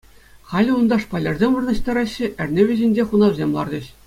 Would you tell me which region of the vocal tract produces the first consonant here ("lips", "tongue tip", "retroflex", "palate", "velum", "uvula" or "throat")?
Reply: uvula